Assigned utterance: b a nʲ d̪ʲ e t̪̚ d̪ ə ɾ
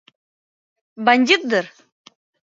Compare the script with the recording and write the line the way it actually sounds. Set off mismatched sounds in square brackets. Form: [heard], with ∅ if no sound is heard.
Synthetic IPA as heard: b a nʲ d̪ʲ [i] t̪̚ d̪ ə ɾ